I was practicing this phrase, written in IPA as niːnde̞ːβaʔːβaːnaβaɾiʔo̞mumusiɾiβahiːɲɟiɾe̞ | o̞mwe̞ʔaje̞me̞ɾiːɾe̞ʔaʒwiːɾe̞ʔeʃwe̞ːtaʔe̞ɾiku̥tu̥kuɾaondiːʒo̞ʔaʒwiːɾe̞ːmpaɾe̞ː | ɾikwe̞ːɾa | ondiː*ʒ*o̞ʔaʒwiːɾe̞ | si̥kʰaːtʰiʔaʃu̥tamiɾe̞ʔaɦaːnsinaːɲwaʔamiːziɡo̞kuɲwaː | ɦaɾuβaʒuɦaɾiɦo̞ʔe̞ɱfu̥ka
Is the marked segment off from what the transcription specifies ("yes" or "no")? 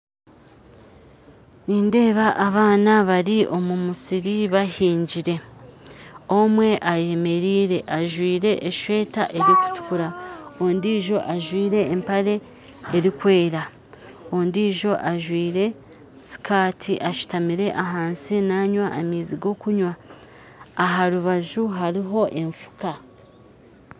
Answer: no